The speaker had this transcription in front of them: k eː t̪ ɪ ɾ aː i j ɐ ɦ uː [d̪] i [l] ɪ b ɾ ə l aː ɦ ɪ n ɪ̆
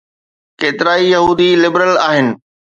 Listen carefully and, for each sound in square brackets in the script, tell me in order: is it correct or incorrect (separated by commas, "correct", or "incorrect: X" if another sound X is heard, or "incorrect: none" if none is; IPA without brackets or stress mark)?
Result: correct, correct